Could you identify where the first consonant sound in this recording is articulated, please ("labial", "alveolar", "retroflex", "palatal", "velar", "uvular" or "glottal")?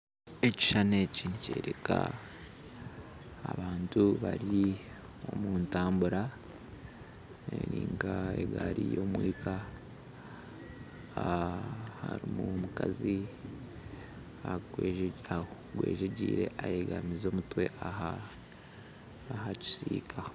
palatal